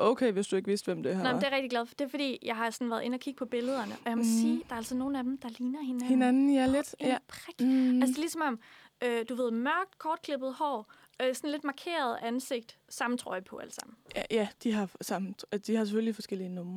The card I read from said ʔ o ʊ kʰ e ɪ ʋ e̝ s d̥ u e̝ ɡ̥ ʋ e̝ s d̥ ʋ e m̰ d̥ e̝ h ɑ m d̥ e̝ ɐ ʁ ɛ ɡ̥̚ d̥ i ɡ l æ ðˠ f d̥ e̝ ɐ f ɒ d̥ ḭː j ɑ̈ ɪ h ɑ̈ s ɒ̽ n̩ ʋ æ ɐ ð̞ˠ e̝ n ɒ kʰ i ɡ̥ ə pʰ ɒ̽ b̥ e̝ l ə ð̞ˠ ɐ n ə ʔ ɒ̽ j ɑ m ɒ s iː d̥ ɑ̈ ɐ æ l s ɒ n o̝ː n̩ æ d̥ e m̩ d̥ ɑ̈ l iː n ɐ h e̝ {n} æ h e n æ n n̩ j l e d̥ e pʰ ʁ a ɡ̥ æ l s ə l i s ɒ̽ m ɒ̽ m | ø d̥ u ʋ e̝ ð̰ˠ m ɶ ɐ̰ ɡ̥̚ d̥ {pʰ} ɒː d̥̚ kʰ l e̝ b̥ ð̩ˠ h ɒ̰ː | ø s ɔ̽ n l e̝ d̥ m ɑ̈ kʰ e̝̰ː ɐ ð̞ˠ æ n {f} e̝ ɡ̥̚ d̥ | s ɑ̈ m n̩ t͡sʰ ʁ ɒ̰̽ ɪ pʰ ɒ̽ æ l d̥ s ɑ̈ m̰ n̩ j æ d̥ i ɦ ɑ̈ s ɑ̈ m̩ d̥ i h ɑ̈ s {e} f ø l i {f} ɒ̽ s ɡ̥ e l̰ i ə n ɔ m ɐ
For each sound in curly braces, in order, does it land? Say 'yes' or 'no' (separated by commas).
yes, no, no, yes, yes